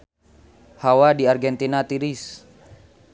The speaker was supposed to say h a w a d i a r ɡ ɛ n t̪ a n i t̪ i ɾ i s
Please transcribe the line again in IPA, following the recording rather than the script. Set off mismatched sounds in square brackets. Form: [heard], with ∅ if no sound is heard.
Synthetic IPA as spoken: h a w a d i a r ɡ ɛ n t̪ [i] n [a] t̪ i ɾ i s